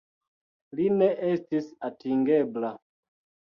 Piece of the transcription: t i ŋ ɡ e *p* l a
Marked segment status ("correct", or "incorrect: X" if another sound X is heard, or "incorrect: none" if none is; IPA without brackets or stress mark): incorrect: b